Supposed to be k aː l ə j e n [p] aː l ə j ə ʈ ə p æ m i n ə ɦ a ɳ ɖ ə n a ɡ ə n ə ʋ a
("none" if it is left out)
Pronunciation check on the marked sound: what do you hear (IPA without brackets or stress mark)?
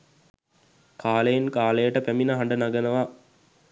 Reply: k